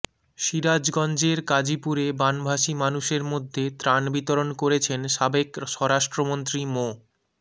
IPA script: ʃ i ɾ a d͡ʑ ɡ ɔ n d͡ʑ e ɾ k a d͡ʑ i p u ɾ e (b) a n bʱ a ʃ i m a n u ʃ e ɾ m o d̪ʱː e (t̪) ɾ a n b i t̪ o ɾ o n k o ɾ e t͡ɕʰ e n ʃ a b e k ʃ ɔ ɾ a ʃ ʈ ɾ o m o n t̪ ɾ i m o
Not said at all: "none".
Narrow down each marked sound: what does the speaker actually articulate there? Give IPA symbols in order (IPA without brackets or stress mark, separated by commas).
b, t̪